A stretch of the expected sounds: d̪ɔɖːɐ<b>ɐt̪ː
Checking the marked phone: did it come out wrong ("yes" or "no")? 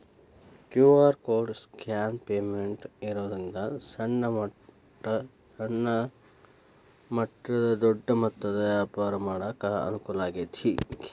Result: yes